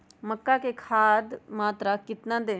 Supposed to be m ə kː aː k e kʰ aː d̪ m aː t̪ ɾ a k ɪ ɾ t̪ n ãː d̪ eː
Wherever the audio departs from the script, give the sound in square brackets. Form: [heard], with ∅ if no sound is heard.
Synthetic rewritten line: m ə kː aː k e kʰ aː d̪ m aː t̪ ɾ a k ɪ [∅] t̪ n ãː d̪ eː